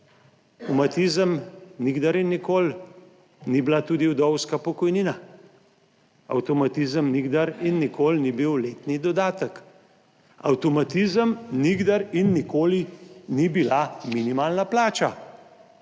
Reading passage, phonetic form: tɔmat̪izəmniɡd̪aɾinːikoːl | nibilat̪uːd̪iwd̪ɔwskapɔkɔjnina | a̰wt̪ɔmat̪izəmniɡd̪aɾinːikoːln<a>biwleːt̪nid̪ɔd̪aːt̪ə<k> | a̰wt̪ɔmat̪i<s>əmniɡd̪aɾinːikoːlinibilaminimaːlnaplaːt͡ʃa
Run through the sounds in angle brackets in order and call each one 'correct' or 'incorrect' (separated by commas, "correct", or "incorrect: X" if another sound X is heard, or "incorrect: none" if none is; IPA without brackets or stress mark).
incorrect: i, correct, incorrect: z